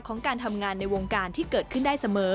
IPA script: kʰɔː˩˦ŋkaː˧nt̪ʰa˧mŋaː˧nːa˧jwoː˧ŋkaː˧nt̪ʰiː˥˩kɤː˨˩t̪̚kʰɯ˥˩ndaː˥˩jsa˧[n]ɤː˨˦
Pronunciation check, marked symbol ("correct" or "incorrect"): incorrect